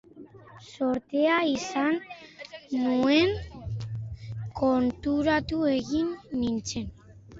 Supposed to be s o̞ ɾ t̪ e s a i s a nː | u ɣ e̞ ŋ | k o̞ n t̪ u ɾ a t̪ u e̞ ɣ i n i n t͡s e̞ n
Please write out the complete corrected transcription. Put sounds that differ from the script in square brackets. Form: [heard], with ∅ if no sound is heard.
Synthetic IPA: s o̞ ɾ t̪ e [∅] a i s a nː | u [∅] e̞ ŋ | k o̞ n t̪ u ɾ a t̪ u e̞ ɣ i [nː] i n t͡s e̞ n